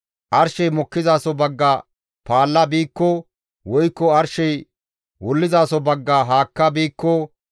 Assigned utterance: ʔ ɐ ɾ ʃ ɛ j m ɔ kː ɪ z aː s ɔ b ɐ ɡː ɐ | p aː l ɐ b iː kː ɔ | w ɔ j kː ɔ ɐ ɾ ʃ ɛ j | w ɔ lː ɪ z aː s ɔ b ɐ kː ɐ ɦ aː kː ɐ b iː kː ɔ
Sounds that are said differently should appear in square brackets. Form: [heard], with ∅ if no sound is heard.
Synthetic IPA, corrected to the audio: ʔ ɐ ɾ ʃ ɛ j m ɔ kː ɪ z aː s ɔ b ɐ ɡː ɐ | p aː [lː] ɐ b iː kː ɔ | w ɔ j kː ɔ ɐ ɾ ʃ ɛ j | w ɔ lː ɪ z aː s ɔ b ɐ [ɡː] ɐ ɦ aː kː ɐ b iː kː ɔ